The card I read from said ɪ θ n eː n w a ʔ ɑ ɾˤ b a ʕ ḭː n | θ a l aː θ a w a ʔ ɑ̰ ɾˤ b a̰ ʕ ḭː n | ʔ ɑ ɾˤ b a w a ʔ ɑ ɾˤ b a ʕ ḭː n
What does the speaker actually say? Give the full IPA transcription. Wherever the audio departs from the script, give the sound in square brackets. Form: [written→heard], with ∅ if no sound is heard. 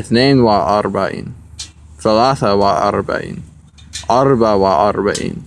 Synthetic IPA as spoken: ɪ θ n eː n w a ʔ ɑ ɾˤ b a ʕ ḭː n | θ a l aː θ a w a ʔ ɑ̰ ɾˤ b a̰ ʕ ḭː n | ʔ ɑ ɾˤ b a w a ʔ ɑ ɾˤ b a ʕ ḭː n